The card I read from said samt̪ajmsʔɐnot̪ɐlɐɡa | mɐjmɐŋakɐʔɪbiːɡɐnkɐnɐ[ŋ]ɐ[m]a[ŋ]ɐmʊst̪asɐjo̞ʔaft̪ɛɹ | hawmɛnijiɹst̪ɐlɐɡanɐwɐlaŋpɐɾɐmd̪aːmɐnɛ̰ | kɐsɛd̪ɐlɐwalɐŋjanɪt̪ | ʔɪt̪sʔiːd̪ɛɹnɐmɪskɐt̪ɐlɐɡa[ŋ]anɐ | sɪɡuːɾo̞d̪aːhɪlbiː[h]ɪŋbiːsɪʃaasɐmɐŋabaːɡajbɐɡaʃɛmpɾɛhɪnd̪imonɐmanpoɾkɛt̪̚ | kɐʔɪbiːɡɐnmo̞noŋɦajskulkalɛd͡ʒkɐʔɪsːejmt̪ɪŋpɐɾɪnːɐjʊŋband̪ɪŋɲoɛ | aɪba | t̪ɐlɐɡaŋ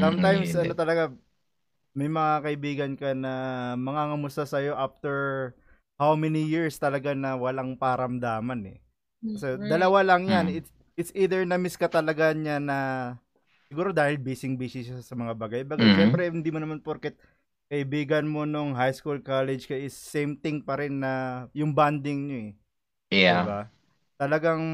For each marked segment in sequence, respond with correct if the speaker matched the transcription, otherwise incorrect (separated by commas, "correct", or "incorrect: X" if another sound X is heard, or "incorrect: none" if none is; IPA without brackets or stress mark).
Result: incorrect: m, incorrect: ŋ, correct, incorrect: ɲ, incorrect: s